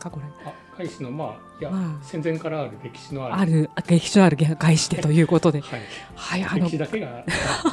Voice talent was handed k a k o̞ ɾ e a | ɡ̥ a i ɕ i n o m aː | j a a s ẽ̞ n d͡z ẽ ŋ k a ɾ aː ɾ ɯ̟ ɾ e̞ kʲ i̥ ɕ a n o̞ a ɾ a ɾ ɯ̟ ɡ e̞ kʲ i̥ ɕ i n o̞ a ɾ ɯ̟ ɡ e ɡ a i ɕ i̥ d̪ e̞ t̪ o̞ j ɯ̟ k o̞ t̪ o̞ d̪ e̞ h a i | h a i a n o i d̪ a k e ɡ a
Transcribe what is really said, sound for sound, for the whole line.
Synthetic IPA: k a k o̞ ɾ e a | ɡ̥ a i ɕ i n o m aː | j a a s ẽ̞ n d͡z ẽ ŋ k a ɾ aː ɾ ɯ̟ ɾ e̞ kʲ i̥ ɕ i n o̞ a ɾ a ɾ ɯ̟ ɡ e̞ kʲ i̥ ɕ i n o̞ a ɾ ɯ̟ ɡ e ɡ a i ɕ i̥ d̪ e̞ t̪ o̞ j ɯ̟ː k o̞ t̪ o̞ d̪ e̞ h a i | h a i a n o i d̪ a k e ɡ a